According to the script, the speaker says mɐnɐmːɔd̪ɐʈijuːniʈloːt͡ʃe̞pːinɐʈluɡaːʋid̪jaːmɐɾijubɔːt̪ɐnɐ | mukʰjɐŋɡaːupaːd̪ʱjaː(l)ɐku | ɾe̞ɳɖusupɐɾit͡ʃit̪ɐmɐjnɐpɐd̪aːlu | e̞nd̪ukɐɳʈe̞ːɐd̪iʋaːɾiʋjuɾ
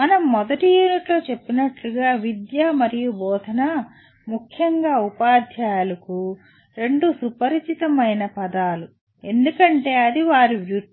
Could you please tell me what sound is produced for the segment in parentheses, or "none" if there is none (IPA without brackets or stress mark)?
l